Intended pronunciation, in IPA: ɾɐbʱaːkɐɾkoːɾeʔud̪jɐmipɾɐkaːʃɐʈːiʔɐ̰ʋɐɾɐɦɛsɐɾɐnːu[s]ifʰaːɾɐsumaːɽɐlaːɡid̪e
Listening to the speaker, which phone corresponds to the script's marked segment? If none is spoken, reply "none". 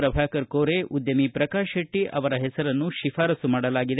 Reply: ʃ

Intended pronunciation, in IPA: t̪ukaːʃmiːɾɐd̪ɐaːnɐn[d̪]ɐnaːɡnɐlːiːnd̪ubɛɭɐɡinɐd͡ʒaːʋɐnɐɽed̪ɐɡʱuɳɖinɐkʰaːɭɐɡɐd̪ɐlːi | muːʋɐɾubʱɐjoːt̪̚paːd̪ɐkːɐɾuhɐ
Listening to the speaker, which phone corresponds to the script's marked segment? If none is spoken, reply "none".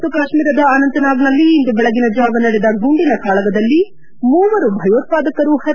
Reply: t̪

